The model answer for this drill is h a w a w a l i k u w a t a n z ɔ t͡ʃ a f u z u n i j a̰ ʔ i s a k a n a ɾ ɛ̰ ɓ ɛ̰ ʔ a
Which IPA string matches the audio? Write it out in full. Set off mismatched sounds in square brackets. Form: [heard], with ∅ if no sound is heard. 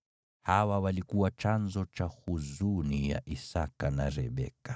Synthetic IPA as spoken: h a w a w a l i k u w a [t͡ʃ] a n z ɔ t͡ʃ a [h] u z u n i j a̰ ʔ i s a k a n a ɾ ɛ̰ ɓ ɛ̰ [k] a

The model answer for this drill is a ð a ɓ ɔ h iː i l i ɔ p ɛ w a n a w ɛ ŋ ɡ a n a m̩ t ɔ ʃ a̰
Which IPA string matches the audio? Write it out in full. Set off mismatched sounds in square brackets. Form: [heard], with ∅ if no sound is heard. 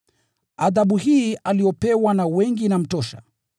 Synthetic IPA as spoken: a ð a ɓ [u] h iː [a] l i ɔ p ɛ w a n a w ɛ ŋ ɡ [i] n a m̩ t ɔ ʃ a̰

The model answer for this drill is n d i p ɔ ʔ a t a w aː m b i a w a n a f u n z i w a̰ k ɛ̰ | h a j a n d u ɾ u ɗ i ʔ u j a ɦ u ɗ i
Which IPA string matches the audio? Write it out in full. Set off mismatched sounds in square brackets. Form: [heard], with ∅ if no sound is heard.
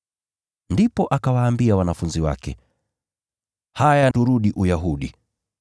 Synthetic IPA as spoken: n d i p ɔ ʔ a [k] a w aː m b i a w a n a f u n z i w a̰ k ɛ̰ | h a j a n d u ɾ u ɗ i ʔ u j a ɦ u ɗ i

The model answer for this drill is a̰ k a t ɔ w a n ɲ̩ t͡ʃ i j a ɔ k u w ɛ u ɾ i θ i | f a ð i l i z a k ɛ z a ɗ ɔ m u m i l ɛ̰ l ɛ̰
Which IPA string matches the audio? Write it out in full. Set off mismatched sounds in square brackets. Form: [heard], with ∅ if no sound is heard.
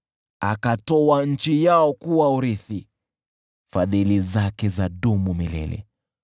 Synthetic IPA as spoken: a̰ k a t ɔ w a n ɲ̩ t͡ʃ i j a ɔ k u w [a] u ɾ i θ i | f a ð i l i z a k ɛ z a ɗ [u] m u m i l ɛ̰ l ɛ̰

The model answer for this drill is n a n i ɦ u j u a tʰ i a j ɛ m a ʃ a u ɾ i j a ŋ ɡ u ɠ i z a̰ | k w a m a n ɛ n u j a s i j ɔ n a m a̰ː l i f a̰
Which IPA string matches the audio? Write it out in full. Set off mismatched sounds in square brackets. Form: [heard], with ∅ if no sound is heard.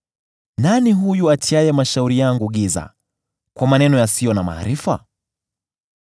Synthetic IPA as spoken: n a n i ɦ u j u a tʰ i a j ɛ m a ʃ a u ɾ i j a ŋ ɡ u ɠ i z a̰ | k w a m a n ɛ n [ɔ] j a s i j ɔ n a m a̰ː [ɾ] i f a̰

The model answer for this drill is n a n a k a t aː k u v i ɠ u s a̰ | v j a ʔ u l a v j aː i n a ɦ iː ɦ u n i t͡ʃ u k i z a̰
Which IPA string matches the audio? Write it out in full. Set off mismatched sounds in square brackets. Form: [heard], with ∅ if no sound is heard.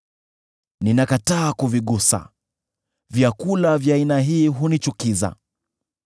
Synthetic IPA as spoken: n [i] n a k a t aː k u v i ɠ u s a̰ | v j a [k] u l a v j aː i n a ɦ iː ɦ u n i t͡ʃ u k i z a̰

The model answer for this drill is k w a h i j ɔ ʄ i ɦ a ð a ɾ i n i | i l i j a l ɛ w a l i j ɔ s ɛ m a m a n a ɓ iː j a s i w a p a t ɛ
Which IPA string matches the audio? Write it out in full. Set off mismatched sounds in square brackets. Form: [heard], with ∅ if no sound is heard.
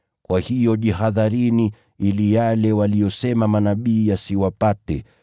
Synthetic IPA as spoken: k w a h i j ɔ ʄ i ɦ a ð a ɾ i n i | i l i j a l ɛ w a l i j ɔ s ɛ m a m a n a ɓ iː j a s i w a p a t ɛ

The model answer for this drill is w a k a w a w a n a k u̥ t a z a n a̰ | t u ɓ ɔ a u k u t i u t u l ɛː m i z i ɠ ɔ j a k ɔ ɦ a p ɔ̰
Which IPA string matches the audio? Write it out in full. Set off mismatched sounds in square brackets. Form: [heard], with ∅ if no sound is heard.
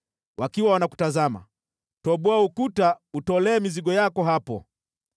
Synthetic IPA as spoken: w a k [i] w a w a n a k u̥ t a z a [m] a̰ | t [ɔ] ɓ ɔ a u k u t [a] u t [ɔ] l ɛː m i z i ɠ ɔ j a k ɔ ɦ a p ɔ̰

